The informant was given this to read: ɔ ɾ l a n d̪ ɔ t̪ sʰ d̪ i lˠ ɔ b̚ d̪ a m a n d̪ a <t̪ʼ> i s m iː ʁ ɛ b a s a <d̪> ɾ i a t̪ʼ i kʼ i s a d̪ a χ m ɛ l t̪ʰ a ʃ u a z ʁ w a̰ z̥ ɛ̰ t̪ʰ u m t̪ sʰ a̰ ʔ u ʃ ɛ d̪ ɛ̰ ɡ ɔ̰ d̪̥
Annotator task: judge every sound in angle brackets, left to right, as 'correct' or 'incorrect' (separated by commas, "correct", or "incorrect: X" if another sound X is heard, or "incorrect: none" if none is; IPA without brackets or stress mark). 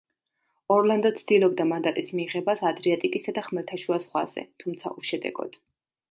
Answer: correct, correct